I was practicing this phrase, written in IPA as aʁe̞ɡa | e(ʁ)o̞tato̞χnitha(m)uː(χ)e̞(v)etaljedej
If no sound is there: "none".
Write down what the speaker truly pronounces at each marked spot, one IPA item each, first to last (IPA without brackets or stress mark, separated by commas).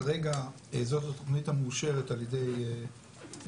z, m, ʃ, ʁ